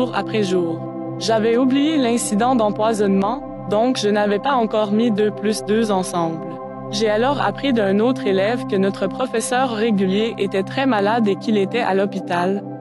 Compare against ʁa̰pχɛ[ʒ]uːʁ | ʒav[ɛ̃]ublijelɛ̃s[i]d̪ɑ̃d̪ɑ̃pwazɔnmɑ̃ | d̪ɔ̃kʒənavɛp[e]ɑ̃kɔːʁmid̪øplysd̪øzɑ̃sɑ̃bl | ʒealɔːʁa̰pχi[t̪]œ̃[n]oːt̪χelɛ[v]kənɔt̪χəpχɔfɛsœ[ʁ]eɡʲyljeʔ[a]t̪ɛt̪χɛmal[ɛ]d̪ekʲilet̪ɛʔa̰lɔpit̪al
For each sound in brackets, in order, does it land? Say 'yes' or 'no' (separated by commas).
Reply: yes, no, yes, no, no, yes, yes, no, no, no